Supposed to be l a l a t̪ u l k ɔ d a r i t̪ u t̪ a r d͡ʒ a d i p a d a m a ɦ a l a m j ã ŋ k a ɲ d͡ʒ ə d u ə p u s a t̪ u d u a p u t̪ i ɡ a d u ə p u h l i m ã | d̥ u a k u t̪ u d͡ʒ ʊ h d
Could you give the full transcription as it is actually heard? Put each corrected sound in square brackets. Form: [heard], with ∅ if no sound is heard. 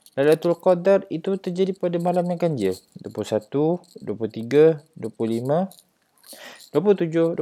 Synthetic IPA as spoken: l a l a t̪ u l k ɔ d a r i t̪ u t̪ [ə] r d͡ʒ a d i p a d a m a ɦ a l a m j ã ŋ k a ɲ d͡ʒ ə d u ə p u s a t̪ u d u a p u t̪ i ɡ a d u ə p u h l i m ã | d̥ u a [p] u t̪ u d͡ʒ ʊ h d